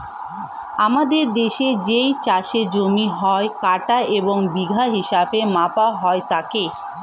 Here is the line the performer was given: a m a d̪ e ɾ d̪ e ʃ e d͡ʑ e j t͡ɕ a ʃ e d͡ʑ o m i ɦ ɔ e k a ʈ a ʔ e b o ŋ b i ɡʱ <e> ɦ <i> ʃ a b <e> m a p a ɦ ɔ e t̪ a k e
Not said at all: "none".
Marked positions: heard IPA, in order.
a, i, e

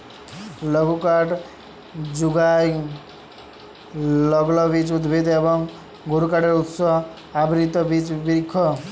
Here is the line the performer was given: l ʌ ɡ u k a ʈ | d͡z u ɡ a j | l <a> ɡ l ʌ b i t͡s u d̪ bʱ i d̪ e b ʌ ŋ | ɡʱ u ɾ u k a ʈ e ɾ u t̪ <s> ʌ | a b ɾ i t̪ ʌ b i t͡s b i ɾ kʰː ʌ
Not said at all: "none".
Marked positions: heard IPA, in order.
ʌ, s

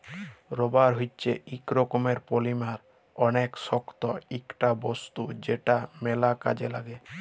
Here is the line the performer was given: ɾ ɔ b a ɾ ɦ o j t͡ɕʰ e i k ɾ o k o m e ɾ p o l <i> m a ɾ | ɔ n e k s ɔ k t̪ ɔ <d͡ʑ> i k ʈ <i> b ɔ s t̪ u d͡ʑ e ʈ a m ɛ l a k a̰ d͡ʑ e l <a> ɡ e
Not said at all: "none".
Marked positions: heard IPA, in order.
i, none, a, a

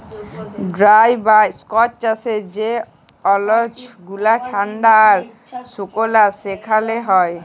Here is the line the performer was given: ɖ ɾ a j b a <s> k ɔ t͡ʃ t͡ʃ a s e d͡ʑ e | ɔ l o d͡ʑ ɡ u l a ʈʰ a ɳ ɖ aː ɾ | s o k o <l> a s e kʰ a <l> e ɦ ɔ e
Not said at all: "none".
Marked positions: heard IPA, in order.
s, l, l

